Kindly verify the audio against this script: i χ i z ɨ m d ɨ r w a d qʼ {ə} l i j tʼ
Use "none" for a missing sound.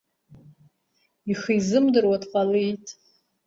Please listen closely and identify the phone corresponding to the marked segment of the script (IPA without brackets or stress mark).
a